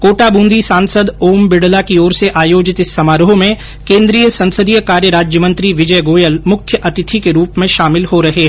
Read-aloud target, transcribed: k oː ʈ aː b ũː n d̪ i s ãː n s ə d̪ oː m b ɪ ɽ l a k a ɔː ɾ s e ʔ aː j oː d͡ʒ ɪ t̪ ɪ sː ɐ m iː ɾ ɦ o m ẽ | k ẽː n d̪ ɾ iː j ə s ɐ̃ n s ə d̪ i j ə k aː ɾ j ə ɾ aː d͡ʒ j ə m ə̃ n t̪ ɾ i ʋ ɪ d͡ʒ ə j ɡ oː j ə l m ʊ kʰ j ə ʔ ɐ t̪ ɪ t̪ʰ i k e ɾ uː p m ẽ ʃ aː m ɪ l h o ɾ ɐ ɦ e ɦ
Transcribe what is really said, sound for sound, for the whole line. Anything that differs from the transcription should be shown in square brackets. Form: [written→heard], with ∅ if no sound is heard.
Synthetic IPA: k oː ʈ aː b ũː n d̪ i s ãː n s ə d̪ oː m b ɪ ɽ l a k [a→i] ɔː ɾ s e ʔ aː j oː d͡ʒ ɪ t̪ ɪ sː ɐ m [iː→aː] ɾ ɦ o m ẽ | k ẽː n d̪ ɾ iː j ə s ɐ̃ n s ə d̪ i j ə k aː ɾ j ə ɾ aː d͡ʒ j ə m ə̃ n t̪ ɾ i ʋ ɪ d͡ʒ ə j ɡ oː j ə l m ʊ kʰ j ə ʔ ɐ t̪ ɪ t̪ʰ i k e ɾ uː p m ẽ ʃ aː m ɪ l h o ɾ ɐ ɦ e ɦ